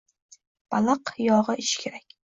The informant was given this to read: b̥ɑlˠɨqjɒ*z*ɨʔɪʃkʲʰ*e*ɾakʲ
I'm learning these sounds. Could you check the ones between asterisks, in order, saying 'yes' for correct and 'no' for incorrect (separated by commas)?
no, yes